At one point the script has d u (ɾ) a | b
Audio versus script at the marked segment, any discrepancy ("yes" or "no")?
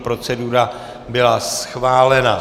no